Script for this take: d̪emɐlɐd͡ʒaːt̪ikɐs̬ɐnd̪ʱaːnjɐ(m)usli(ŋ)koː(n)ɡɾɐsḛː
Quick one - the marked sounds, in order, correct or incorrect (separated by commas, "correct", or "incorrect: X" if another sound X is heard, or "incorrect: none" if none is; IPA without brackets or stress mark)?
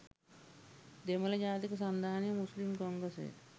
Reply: correct, incorrect: m, incorrect: ŋ